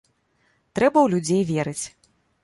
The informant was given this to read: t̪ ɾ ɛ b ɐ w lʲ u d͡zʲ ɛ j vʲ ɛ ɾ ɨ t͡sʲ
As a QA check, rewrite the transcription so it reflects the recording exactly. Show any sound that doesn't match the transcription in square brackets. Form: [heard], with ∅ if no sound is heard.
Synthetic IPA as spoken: t̪ ɾ ɛ b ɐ w lʲ u d͡zʲ [e] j vʲ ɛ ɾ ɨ t͡sʲ

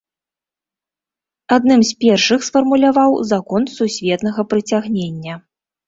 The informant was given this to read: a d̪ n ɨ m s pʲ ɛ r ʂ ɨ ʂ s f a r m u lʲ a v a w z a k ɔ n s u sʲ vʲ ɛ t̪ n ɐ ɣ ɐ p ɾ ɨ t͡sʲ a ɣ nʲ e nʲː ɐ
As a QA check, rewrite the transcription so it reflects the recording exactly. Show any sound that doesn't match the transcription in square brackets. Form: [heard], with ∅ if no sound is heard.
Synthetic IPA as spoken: a d̪ n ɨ m s pʲ ɛ r ʂ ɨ [x] s f [ɐ] r m u lʲ a v a w z a k ɔ n s u sʲ vʲ ɛ t̪ n ɐ ɣ ɐ p ɾ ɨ t͡sʲ a ɣ nʲ e nʲː ɐ

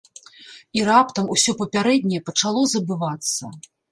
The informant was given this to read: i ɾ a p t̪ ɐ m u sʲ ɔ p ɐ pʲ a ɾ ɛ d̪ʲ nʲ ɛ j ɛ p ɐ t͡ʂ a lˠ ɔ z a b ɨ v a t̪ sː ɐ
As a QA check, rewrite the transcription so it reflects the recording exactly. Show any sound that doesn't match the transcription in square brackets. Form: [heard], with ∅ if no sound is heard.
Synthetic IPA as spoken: i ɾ a p t̪ ɐ m u sʲ ɔ p ɐ pʲ a ɾ ɛ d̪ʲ nʲ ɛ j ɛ p ɐ t͡ʂ a lˠ ɔ z [ɐ] b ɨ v a t̪ sː ɐ

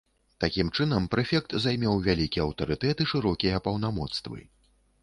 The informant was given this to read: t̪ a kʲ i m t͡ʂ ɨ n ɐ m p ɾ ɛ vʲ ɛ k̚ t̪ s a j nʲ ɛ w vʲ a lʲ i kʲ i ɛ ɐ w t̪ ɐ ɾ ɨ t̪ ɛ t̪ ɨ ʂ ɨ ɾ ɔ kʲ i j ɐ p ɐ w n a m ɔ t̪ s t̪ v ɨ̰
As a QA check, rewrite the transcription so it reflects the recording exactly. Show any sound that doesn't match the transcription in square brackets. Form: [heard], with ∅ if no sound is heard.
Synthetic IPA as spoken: t̪ a kʲ i m t͡ʂ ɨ n ɐ m p ɾ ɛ [fʲ] ɛ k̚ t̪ [z] a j [mʲ] ɛ w vʲ a lʲ i kʲ i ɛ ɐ w t̪ ɐ ɾ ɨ t̪ ɛ t̪ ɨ ʂ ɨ ɾ ɔ kʲ i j ɐ p ɐ w n a m ɔ t̪ s t̪ v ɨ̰

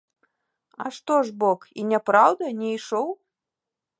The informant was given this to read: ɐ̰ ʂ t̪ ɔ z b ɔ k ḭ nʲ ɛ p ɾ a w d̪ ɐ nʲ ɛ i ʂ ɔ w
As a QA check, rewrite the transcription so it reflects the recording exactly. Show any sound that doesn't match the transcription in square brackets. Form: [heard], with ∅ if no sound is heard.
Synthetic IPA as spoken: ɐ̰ ʂ t̪ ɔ [ʐ] b ɔ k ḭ nʲ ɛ p ɾ a w d̪ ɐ nʲ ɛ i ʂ ɔ w

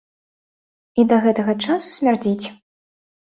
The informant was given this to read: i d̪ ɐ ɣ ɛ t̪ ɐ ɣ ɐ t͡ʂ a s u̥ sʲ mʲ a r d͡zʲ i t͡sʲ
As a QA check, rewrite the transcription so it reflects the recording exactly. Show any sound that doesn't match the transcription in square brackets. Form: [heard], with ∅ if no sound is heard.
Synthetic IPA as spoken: i d̪ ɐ ɣ ɛ t̪ ɐ ɣ ɐ t͡ʂ a s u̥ sʲ mʲ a r d͡zʲ i t͡sʲ

